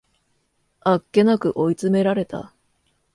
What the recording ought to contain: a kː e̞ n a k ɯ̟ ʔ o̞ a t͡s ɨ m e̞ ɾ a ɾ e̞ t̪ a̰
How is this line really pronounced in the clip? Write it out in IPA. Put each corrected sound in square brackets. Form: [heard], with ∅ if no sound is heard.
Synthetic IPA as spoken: a kː e̞ n a k ɯ̟ ʔ o̞ [i] t͡s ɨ m e̞ ɾ a ɾ e̞ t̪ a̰